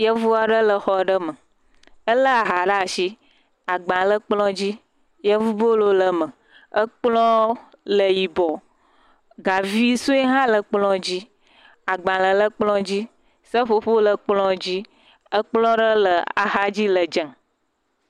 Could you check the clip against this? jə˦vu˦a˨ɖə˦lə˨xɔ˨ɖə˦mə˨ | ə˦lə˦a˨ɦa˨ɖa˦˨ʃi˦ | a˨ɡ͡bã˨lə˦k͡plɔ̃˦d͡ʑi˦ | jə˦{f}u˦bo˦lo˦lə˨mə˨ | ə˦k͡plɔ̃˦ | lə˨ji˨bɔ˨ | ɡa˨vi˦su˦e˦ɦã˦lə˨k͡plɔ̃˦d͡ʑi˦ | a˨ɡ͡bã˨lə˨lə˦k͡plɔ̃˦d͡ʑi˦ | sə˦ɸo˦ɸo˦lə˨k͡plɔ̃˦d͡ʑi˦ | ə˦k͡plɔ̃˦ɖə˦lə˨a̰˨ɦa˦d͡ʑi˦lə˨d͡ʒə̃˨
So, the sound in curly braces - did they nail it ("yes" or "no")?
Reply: no